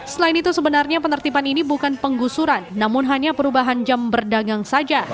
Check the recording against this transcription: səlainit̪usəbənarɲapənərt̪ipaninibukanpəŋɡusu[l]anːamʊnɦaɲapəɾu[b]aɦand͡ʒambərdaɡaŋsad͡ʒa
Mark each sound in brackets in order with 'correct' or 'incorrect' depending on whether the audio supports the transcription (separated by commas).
incorrect, correct